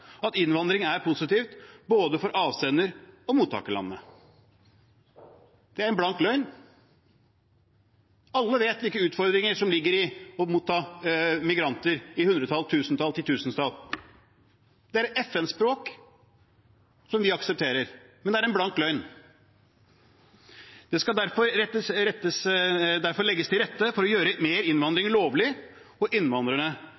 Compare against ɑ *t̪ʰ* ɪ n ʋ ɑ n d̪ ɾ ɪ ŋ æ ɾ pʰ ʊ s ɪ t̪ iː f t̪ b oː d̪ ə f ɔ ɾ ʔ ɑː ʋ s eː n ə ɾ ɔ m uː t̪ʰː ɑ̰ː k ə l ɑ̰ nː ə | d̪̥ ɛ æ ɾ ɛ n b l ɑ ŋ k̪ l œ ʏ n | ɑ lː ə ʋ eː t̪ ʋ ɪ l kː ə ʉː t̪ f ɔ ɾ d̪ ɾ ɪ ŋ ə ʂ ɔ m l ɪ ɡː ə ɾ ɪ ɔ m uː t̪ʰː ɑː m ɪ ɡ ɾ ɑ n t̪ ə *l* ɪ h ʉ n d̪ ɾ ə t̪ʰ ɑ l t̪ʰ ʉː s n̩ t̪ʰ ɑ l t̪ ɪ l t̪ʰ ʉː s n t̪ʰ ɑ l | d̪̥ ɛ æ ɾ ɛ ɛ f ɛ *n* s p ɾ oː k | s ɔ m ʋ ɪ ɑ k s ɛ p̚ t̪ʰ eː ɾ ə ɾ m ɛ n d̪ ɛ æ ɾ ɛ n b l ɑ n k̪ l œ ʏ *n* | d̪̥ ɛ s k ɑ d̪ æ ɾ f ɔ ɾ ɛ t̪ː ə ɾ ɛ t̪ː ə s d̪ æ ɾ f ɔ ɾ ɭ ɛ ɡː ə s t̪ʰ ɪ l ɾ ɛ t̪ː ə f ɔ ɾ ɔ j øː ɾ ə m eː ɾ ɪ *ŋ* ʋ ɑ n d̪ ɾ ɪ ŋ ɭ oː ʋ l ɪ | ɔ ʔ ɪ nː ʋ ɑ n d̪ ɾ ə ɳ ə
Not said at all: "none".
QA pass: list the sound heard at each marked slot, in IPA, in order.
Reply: t̪, ɾ, n, n, n

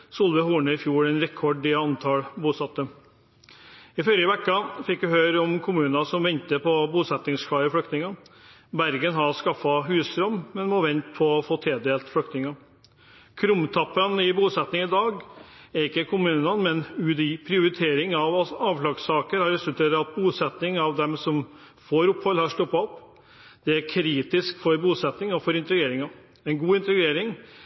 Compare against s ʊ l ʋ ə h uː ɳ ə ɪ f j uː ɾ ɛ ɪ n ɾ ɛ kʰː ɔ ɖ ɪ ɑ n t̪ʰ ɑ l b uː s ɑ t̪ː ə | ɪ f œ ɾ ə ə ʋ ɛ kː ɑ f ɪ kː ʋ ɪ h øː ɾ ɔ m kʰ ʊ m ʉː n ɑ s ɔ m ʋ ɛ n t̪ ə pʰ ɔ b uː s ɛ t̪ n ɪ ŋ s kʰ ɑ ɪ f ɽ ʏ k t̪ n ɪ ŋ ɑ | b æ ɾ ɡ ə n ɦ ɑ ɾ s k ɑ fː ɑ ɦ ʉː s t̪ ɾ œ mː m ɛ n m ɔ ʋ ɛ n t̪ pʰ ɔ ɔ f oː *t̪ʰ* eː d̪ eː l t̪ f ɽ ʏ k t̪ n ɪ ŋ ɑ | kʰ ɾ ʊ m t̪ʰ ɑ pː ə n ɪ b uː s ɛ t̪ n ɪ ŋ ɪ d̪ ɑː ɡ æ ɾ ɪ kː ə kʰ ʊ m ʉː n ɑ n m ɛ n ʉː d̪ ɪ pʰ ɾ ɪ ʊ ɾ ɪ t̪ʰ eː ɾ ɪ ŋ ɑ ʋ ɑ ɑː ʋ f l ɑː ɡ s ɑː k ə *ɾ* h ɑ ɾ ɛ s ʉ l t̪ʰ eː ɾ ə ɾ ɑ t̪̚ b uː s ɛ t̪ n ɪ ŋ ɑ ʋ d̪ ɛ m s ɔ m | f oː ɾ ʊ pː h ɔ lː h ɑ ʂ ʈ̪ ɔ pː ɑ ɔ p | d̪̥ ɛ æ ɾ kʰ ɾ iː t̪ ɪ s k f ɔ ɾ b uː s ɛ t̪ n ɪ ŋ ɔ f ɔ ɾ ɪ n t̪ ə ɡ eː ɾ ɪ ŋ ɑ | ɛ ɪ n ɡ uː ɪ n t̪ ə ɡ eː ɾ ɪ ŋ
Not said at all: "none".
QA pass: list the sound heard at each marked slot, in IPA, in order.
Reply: t̪ʰ, ɾ

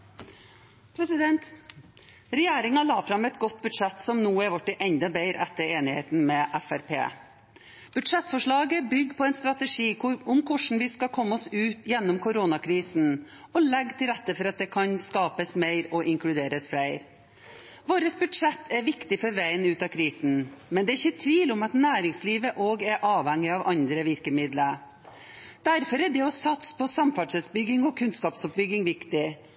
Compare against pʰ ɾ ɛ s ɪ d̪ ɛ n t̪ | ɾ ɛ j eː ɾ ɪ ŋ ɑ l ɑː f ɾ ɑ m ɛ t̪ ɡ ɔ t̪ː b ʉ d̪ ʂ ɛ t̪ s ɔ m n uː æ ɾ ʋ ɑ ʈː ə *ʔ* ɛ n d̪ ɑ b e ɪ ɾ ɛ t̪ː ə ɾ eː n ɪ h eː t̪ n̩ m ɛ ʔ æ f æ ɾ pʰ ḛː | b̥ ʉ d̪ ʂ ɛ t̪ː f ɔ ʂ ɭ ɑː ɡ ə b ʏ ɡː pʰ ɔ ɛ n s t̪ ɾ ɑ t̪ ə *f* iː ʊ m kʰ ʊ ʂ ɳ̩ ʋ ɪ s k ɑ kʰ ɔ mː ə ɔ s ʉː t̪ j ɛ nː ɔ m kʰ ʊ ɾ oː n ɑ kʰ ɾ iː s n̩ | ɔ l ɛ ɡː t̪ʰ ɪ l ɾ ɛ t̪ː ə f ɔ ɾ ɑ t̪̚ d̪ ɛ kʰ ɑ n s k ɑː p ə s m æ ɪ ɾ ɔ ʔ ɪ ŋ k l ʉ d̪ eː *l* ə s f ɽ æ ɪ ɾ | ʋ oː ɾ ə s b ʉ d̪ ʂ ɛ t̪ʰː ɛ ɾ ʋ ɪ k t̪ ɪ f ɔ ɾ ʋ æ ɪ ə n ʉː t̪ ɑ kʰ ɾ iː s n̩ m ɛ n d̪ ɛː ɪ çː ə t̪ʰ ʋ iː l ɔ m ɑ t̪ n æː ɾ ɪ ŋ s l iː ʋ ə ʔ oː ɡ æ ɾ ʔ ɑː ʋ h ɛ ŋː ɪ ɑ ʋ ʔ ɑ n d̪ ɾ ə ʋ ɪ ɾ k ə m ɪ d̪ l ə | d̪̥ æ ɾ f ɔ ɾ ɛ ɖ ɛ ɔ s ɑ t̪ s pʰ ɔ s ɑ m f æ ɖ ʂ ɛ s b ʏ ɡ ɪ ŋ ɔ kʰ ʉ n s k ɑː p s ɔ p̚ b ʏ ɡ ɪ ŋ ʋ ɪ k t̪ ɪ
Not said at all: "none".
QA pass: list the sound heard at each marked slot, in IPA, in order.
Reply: ʔ, ʂ, ɾ

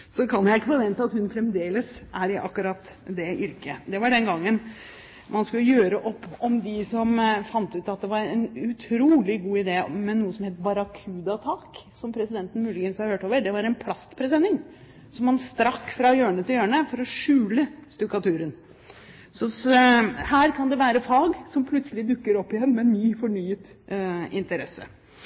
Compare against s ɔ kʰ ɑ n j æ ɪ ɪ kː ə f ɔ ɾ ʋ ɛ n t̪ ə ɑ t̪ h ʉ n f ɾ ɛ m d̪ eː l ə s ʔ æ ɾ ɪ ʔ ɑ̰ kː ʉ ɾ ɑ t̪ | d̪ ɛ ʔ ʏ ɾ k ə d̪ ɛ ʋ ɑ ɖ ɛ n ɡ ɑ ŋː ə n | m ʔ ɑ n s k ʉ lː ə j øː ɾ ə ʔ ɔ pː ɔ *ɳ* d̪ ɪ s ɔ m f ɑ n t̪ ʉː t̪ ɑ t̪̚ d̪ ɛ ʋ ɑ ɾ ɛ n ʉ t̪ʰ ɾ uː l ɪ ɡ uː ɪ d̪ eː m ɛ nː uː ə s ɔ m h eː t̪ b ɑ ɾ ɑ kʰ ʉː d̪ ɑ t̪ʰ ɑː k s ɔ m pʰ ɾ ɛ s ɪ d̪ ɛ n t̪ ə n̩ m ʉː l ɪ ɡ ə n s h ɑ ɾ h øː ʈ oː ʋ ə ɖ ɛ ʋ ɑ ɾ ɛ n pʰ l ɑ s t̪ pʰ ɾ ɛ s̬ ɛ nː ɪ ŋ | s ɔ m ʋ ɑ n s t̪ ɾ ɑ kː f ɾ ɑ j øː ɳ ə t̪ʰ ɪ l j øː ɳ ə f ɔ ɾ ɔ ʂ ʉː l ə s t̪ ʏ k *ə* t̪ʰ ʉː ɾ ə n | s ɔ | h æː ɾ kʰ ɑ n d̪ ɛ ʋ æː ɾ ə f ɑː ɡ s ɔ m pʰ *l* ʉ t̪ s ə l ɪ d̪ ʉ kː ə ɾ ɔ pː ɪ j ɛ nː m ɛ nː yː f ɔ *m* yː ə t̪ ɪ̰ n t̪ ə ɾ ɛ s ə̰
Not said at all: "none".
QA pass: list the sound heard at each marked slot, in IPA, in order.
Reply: m, ɑ, l, ɳ

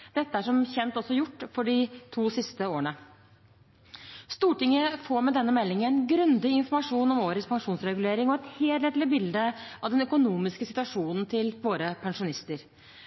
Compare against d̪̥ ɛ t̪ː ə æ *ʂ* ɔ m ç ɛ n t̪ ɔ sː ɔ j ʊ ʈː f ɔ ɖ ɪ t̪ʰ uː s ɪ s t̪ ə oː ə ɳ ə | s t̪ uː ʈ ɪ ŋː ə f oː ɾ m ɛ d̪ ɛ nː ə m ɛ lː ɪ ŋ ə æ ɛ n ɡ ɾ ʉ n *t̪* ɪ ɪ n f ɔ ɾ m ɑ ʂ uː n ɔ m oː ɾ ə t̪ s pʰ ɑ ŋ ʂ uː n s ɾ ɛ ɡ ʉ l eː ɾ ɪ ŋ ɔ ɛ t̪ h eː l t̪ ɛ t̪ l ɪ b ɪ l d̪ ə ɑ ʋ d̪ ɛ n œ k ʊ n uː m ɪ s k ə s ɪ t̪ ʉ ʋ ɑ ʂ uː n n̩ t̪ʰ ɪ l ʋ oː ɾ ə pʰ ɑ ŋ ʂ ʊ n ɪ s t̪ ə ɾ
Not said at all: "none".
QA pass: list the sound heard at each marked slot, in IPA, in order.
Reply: ʂ, d̪

